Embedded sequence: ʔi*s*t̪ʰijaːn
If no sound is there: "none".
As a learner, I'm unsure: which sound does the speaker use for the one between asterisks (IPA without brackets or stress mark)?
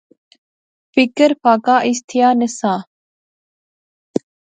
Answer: s